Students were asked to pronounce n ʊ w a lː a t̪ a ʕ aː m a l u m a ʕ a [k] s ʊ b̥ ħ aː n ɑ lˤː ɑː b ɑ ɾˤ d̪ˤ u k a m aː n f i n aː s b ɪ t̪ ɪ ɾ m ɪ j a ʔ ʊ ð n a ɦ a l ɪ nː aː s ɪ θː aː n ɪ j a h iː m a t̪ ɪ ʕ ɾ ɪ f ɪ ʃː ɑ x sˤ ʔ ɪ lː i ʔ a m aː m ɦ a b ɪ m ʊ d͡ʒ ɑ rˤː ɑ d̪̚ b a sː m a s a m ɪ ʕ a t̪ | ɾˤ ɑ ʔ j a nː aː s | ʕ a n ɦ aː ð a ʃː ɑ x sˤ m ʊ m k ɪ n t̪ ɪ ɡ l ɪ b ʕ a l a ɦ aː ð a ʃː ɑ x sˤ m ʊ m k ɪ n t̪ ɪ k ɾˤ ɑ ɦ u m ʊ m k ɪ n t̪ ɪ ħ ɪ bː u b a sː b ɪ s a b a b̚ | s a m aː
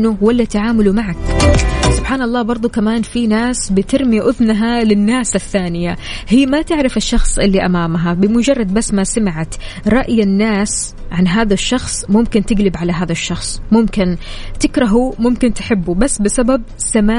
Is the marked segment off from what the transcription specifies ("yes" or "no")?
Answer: no